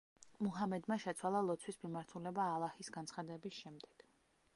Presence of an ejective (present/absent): absent